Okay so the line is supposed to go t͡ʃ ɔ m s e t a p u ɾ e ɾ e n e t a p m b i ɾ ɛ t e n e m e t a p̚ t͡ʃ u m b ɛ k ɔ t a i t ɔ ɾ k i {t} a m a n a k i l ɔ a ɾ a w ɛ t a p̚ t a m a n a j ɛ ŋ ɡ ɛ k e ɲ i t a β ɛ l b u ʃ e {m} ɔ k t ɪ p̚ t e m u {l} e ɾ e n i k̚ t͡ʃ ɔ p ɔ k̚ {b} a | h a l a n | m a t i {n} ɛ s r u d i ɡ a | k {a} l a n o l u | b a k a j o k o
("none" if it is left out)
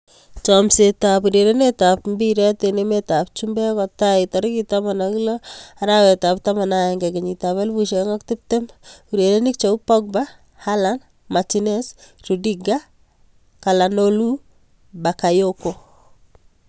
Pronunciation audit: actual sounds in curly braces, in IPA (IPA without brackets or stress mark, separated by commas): t, ŋ, ɾ, b, n, a